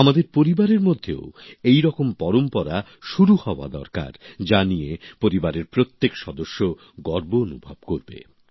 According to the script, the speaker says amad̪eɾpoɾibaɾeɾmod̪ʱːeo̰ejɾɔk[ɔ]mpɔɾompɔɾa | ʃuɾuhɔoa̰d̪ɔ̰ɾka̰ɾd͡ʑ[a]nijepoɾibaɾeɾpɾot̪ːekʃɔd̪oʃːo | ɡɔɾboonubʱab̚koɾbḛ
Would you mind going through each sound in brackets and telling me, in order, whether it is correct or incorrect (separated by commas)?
incorrect, correct